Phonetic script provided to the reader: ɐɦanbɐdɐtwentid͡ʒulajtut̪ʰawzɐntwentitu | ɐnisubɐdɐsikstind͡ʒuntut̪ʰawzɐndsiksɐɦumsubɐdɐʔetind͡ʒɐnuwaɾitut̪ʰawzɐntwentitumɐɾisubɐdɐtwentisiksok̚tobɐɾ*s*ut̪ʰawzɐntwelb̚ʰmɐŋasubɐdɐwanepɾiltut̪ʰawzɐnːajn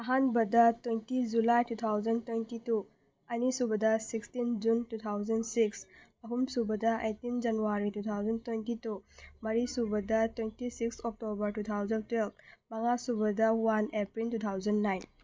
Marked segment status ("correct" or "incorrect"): incorrect